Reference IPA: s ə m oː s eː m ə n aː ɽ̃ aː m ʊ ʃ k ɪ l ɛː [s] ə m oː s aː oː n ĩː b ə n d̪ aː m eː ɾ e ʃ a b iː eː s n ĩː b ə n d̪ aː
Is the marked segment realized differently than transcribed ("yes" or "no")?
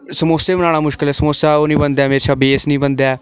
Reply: no